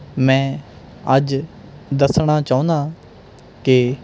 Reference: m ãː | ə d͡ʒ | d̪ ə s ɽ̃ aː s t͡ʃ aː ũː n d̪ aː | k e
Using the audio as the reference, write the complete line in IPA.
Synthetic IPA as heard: m ɛ̃ː | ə d͡ʒ | d̪ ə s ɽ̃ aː t͡ʃ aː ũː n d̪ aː | k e